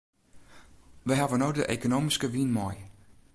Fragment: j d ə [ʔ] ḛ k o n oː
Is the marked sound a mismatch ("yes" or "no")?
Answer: no